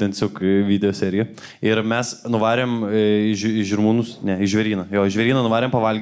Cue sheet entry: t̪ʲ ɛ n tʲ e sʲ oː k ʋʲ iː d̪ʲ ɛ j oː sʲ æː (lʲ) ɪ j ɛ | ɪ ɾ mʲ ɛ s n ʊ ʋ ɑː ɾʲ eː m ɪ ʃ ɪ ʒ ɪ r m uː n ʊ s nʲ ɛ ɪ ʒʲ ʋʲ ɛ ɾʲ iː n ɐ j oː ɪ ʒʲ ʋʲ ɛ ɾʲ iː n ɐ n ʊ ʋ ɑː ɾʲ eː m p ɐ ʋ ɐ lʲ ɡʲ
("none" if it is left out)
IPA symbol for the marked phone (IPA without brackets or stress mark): ɾʲ